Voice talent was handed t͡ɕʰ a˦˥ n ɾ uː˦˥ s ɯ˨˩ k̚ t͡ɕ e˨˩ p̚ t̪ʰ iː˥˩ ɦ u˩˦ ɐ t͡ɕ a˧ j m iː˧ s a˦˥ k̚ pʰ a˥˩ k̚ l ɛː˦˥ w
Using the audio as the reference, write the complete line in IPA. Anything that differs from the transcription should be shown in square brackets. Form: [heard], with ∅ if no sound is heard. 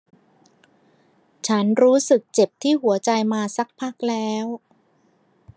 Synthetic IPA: t͡ɕʰ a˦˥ n ɾ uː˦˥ s ɯ˨˩ k̚ t͡ɕ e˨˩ p̚ t̪ʰ iː˥˩ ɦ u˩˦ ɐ t͡ɕ a˧ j m [aː˧] s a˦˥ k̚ pʰ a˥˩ k̚ l ɛː˦˥ w